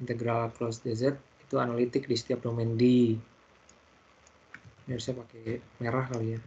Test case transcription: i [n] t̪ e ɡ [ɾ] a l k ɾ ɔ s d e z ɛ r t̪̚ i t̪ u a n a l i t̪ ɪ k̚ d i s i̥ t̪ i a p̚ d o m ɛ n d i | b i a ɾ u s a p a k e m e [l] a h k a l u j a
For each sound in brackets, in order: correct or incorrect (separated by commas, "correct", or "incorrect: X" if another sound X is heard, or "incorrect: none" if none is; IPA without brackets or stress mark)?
correct, correct, incorrect: ɾ